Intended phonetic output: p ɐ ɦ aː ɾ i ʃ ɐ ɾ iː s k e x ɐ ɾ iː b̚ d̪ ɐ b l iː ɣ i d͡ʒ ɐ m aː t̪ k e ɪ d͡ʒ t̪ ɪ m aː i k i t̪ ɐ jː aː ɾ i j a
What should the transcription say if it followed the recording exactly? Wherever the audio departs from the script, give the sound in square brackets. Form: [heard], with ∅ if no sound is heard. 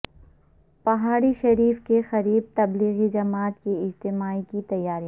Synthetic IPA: p ɐ ɦ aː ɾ i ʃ ɐ ɾ iː [f] k e x ɐ ɾ iː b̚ [t̪] ɐ b l iː ɣ i d͡ʒ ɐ m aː t̪ k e ɪ d͡ʒ t̪ ɪ m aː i k i t̪ ɐ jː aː ɾ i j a

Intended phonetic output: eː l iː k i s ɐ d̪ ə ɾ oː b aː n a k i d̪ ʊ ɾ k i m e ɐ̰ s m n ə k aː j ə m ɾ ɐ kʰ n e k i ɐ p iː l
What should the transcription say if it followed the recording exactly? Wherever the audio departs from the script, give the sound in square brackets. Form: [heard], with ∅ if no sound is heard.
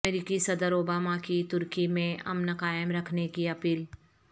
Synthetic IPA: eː [ɾ] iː k i s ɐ d̪ ə ɾ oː b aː [m] a k i [t̪] ʊ ɾ k i m [ẽ] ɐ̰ [∅] m n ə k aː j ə m ɾ ɐ kʰ n e k i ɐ p iː l

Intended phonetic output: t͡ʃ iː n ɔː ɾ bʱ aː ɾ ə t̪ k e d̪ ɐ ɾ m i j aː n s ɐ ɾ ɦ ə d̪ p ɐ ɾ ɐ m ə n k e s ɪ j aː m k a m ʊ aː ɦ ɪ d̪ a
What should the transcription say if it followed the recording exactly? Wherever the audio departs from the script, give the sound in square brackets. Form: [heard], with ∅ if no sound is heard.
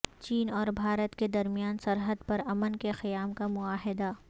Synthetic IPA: t͡ʃ iː n ɔː ɾ bʱ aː ɾ ə t̪ k e d̪ ɐ ɾ m i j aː n s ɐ ɾ ɦ ə d̪ p ɐ ɾ ɐ m ə n k e [x] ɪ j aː m k a m ʊ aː ɦ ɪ d̪ a

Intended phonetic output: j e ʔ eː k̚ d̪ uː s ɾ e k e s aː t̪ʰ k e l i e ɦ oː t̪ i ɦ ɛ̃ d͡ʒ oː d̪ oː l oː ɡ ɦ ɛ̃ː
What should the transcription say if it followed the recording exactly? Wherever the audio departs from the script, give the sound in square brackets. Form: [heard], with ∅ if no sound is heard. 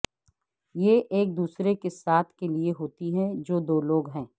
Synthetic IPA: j e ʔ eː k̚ d̪ uː s ɾ e k e s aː t̪ʰ k e l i e ɦ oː t̪ i ɦ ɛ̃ d͡ʒ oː d̪ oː l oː ɡ ɦ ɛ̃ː

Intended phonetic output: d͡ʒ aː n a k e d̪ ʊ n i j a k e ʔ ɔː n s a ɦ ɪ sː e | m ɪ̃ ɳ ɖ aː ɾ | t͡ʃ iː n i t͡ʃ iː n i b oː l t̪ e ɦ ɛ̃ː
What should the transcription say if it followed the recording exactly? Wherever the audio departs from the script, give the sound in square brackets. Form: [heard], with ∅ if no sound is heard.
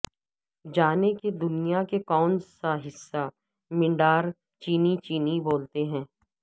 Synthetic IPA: d͡ʒ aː n [e] k e d̪ ʊ n i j a k e [k] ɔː n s a ɦ ɪ sː [a] | m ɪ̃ ɳ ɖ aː ɾ | t͡ʃ iː n i t͡ʃ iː n i b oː l t̪ e ɦ ɛ̃ː

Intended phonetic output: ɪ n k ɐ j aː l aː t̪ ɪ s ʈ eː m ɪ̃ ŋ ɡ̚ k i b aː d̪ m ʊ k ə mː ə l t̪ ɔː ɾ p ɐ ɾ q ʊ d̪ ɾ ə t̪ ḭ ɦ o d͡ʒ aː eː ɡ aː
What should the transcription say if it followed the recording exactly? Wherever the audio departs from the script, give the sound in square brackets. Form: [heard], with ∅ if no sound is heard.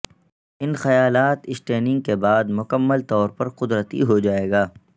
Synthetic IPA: ɪ n [x] ɐ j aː l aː t̪ ɪ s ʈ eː [n] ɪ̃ ŋ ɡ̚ k [e] b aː d̪ m ʊ k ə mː ə l t̪ ɔː ɾ p ɐ ɾ q ʊ d̪ ɾ ə t̪ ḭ ɦ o d͡ʒ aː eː ɡ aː

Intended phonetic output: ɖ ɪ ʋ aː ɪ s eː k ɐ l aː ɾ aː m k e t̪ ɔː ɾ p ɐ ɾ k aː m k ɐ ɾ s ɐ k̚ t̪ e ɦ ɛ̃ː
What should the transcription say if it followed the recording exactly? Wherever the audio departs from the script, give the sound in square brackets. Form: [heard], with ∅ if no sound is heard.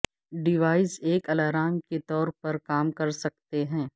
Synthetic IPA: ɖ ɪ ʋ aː ɪ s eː k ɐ l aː ɾ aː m k e t̪ ɔː ɾ p ɐ ɾ k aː m k ɐ ɾ s ɐ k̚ t̪ e ɦ ɛ̃ː

